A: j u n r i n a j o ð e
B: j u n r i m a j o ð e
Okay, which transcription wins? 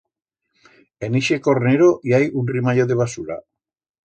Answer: B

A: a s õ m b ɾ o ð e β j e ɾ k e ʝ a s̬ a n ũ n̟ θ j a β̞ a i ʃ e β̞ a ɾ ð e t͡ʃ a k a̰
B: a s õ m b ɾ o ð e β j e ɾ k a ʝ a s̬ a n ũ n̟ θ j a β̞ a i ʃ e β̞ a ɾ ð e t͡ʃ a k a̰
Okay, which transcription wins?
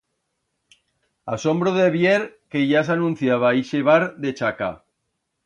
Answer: A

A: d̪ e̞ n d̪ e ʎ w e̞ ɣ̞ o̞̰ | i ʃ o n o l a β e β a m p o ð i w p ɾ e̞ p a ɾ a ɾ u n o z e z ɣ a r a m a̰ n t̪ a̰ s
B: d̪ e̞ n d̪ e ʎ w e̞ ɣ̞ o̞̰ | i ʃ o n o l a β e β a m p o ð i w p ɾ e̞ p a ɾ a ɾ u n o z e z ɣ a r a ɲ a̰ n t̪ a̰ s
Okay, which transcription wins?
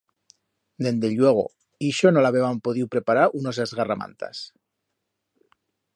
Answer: A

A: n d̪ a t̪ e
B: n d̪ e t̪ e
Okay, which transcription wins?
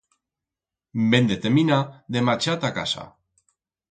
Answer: B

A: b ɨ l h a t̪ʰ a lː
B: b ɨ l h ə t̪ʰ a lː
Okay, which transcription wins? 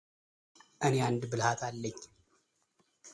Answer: A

